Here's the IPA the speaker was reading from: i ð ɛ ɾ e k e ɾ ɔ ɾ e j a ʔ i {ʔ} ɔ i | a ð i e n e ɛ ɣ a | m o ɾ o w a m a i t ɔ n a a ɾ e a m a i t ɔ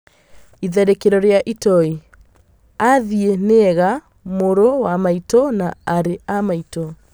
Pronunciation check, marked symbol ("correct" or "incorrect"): incorrect